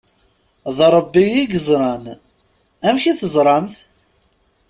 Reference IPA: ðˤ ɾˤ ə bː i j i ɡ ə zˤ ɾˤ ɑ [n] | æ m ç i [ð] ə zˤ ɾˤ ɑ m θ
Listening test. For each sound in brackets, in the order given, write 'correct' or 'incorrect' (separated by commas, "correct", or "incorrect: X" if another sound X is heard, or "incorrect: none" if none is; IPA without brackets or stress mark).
correct, incorrect: θ